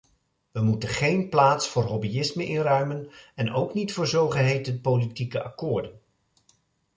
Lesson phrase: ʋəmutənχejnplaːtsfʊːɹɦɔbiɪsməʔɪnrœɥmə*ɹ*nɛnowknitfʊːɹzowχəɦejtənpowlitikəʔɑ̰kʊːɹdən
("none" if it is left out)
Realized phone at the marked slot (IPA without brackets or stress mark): none